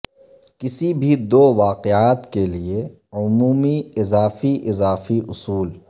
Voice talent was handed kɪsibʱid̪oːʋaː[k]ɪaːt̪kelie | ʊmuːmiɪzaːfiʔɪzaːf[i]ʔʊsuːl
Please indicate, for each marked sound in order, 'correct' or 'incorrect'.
incorrect, correct

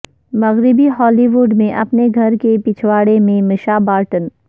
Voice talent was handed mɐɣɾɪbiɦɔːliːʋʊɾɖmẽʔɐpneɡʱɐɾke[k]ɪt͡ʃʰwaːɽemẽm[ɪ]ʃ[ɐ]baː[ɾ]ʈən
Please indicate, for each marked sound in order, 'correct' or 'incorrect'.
incorrect, correct, incorrect, correct

